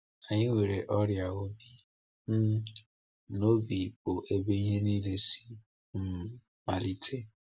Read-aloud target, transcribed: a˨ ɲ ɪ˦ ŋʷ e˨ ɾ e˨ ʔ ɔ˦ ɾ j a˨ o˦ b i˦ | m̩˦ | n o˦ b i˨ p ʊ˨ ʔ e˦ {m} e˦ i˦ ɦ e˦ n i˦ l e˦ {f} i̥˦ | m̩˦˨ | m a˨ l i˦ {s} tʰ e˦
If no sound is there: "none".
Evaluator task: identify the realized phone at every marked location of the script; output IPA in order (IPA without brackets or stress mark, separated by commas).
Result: b, s, none